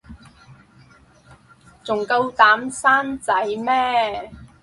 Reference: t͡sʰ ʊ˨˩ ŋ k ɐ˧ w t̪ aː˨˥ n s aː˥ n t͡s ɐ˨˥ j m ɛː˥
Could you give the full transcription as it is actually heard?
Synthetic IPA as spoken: t͡s ʊ˨˩ ŋ k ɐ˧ w t̪ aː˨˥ m s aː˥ n t͡s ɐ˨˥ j m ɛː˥